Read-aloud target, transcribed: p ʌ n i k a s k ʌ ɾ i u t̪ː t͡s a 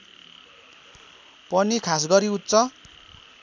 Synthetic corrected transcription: p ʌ n i kʰ a s ɡ ʌ ɾ i u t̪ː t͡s ʌ